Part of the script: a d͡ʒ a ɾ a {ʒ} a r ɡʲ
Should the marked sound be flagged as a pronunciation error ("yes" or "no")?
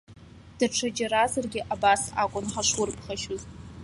yes